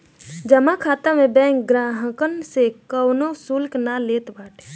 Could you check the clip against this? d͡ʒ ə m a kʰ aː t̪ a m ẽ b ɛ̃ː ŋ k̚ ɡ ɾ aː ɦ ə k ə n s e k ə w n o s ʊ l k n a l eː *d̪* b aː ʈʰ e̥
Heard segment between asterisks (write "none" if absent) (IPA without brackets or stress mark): t̪